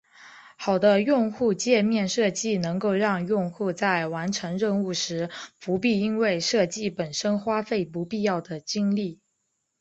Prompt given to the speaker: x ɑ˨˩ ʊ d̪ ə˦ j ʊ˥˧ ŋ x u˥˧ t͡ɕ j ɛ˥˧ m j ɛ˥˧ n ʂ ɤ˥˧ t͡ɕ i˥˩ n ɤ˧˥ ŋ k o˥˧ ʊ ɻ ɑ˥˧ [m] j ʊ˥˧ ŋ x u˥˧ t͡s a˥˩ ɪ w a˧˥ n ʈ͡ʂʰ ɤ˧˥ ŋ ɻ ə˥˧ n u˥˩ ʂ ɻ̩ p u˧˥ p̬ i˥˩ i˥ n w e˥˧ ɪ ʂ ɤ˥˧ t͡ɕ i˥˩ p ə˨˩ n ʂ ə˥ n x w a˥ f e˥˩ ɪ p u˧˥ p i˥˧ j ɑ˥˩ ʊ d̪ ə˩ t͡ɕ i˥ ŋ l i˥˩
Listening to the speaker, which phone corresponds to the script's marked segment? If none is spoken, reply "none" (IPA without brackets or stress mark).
ŋ